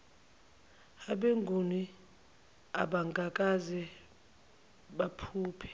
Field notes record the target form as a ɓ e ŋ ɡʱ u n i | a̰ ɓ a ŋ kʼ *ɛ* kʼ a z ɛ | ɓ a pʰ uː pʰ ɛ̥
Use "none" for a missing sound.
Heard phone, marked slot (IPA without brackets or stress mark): a